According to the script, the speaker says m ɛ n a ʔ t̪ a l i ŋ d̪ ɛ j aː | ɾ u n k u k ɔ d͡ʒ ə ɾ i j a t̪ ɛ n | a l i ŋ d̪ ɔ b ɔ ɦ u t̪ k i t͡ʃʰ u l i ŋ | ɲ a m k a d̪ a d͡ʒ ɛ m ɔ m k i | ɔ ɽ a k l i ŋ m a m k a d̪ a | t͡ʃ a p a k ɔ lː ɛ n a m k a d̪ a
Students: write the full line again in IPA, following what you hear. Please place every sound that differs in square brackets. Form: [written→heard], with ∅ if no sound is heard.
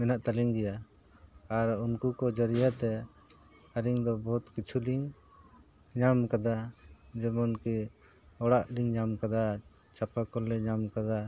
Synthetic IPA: m ɛ n a ʔ t̪ a l i ŋ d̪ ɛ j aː | ɾ u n k u k ɔ d͡ʒ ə ɾ i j a t̪ ɛ [n→∅] | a [l→ɾ] i ŋ d̪ ɔ b ɔ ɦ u t̪ k i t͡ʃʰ u l i ŋ | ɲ a m k a d̪ a d͡ʒ ɛ m ɔ [m→n] k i | ɔ ɽ a [k→ʔ] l i ŋ [m→ɲ] a m k a d̪ a | t͡ʃ a p a k ɔ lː ɛ [n→ɲ] a m k a d̪ a